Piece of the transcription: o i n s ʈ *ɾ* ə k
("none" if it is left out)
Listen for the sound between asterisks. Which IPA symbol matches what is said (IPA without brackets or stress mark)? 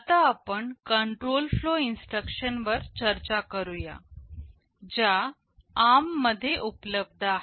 ɾ